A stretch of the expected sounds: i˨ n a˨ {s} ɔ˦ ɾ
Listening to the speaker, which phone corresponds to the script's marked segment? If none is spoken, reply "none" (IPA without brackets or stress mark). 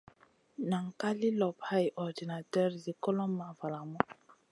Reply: t